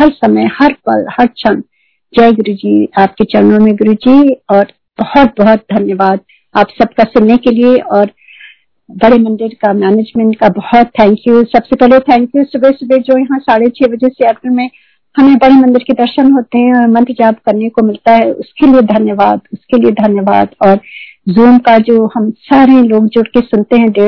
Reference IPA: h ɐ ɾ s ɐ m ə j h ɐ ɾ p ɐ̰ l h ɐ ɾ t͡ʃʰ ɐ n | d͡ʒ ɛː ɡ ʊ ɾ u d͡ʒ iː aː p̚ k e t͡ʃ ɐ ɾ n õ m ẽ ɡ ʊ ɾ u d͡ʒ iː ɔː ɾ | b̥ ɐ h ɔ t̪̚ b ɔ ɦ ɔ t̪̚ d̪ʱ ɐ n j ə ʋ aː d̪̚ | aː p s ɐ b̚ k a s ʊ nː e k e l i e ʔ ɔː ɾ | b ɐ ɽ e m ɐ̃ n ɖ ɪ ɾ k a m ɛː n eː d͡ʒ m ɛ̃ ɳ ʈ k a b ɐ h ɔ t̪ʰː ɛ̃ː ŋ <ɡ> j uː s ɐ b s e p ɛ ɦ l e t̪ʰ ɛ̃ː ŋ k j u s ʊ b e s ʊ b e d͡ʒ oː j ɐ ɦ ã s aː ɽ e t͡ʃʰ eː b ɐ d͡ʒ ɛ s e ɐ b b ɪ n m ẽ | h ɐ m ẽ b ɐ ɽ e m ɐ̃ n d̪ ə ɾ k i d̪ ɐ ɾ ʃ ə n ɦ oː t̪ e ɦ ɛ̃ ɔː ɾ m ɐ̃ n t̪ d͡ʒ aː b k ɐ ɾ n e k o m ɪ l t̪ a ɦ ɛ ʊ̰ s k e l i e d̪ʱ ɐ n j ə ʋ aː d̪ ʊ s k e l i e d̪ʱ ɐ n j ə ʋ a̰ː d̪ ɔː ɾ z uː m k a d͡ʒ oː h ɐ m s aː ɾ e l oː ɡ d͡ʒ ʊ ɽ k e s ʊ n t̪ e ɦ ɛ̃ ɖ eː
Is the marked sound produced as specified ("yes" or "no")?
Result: no